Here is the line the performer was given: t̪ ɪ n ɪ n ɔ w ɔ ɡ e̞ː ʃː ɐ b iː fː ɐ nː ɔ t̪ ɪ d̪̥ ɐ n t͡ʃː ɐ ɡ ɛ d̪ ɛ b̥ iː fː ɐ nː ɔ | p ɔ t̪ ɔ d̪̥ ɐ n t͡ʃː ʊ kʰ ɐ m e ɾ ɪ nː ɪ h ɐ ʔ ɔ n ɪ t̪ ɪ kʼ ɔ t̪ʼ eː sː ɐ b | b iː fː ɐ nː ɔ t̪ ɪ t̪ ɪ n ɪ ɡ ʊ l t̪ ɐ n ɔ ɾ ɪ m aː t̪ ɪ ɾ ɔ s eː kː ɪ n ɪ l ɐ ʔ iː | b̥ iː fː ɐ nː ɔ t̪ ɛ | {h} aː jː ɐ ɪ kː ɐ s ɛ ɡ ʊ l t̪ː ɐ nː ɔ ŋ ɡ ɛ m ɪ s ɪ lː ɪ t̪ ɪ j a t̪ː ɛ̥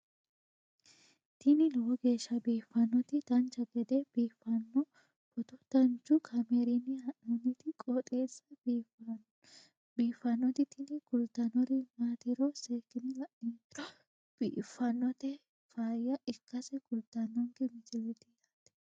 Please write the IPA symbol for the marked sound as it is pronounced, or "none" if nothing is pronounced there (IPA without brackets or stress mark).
f